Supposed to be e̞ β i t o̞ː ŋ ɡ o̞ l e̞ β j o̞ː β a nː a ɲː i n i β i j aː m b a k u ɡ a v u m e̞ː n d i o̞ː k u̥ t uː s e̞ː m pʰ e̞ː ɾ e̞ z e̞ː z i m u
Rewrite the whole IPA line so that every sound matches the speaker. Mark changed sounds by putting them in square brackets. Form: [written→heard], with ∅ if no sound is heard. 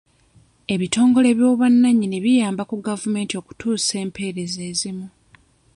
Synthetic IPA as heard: e̞ β i t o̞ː ŋ ɡ o̞ l e̞ β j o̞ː β a nː a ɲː i n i β i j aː m b a k u ɡ a v u m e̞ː n [d→t] i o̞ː k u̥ t uː s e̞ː m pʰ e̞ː ɾ e̞ z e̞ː z i m u